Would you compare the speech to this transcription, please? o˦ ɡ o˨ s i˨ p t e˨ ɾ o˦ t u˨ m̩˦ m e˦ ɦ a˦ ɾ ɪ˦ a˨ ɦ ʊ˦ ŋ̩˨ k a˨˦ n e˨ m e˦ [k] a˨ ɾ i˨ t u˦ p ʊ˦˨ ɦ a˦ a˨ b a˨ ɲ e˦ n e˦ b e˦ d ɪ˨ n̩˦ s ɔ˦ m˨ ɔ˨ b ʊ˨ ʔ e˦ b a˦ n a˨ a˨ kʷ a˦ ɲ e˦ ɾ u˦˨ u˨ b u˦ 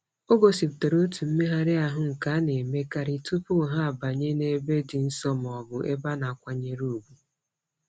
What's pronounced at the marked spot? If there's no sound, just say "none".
k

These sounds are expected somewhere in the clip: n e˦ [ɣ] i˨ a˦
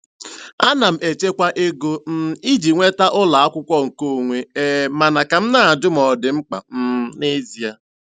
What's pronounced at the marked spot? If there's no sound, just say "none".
z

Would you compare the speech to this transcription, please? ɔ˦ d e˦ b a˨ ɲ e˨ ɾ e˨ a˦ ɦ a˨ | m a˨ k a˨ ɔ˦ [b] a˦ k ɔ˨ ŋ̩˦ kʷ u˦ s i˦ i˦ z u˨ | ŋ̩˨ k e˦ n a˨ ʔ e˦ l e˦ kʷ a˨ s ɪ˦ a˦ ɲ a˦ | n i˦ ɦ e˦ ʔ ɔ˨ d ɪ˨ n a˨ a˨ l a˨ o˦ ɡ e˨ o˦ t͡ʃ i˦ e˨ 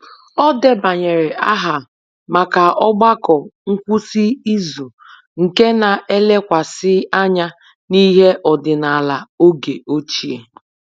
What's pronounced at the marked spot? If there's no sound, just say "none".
ɡ͡b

